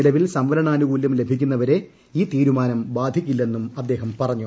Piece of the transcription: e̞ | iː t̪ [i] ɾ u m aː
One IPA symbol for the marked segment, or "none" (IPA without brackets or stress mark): iː